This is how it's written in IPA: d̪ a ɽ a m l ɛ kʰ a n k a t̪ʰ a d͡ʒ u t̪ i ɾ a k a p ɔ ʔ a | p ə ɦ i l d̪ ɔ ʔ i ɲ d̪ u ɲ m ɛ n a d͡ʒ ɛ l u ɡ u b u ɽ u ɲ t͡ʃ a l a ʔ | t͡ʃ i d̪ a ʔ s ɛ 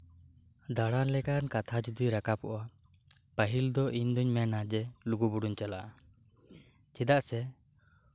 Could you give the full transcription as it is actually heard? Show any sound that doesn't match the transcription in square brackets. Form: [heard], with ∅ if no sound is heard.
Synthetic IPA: d̪ a ɽ a [n] l ɛ [k] a n k a t̪ʰ a d͡ʒ u [d̪] i ɾ a k a p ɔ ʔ a | p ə ɦ i l d̪ ɔ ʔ i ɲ d̪ u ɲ m ɛ n a d͡ʒ ɛ l u ɡ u b u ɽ u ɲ t͡ʃ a l a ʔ | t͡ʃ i d̪ a ʔ s ɛ